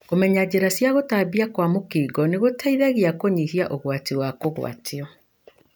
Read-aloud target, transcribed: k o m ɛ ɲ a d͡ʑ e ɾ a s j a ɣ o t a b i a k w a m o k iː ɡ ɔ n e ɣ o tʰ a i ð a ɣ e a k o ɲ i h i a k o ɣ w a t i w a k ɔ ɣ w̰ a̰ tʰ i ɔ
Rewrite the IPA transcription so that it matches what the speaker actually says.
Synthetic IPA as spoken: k o m ɛ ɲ a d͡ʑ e ɾ a s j a ɣ o t a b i a k w a m o k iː ɡ ɔ n e ɣ o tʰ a i ð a ɣ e a k o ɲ i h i a ʔ o ɣ w a t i w a k o ɣ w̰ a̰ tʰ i ɔ